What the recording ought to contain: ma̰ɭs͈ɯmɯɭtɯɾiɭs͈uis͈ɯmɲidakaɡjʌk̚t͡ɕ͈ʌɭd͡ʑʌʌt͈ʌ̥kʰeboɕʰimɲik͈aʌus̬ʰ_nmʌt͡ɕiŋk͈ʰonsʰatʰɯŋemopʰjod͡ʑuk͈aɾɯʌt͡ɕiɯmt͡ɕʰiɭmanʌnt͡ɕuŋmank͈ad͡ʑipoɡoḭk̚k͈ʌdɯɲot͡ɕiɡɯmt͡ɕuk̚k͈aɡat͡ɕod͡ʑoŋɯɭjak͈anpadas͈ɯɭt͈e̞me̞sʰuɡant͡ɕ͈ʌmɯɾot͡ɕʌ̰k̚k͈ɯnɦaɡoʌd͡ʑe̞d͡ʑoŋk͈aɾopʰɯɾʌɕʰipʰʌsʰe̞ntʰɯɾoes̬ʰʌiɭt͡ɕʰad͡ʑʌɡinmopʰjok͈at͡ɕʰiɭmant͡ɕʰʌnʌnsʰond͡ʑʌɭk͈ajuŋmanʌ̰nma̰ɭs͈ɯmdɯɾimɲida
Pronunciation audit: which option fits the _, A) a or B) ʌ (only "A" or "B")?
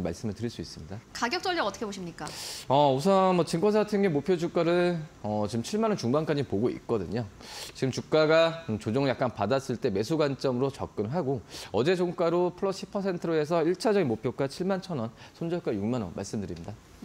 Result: B